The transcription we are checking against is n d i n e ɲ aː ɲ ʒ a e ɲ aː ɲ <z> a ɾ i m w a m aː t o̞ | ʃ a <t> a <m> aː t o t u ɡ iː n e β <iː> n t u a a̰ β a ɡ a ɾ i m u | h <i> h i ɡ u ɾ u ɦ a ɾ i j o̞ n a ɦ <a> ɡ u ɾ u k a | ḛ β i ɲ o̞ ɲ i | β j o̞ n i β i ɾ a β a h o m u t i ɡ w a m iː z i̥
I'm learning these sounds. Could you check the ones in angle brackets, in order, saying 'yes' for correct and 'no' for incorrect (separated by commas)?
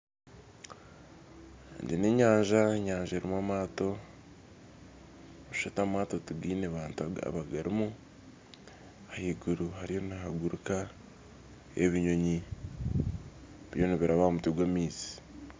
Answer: no, yes, yes, no, no, yes